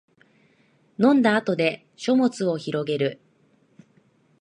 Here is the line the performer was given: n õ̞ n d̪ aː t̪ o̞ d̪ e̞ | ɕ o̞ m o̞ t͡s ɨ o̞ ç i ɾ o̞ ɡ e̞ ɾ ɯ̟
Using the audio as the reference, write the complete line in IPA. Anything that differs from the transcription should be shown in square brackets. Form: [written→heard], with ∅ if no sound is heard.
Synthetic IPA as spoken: n õ̞ n d̪ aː t̪ o̞ d̪ e̞ | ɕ o̞ m o̞ t͡s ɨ o̞ ç i ɾ o̞ ɡ e̞ ɾ ɯ̟